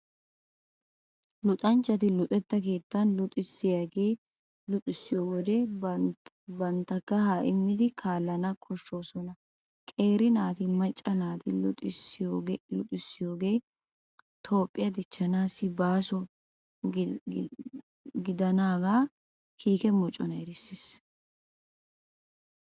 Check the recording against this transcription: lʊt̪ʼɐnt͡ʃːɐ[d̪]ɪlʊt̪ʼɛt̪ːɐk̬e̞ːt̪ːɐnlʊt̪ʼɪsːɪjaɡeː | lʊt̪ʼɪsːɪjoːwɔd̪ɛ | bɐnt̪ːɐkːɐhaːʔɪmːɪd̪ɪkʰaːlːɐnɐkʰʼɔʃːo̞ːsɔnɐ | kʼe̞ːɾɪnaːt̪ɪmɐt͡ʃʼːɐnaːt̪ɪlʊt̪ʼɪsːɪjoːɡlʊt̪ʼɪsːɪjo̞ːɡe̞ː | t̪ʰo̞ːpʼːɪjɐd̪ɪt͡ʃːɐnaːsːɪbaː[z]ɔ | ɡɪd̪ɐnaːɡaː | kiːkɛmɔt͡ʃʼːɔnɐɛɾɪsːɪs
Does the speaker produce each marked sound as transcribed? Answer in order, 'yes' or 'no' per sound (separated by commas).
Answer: no, no